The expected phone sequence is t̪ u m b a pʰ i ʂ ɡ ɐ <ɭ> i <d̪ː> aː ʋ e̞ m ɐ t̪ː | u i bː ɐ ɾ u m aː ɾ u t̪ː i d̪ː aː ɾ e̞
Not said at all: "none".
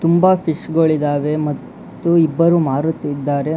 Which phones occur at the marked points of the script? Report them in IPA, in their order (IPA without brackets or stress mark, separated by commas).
ɭ, d̪